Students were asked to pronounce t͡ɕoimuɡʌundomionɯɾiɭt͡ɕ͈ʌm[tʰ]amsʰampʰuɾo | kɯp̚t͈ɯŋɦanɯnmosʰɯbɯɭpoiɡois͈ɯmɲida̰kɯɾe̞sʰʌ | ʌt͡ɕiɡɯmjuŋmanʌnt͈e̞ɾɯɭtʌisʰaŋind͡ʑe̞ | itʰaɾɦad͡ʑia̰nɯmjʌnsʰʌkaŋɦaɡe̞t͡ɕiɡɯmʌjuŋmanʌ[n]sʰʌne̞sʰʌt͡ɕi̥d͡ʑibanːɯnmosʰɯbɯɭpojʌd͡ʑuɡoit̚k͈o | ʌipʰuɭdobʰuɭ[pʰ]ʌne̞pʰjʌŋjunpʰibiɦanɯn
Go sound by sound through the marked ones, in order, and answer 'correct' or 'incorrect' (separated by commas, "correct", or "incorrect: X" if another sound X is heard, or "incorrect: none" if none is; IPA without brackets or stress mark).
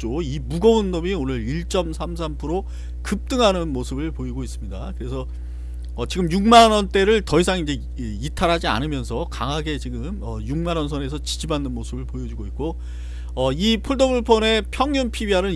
incorrect: sʰ, correct, correct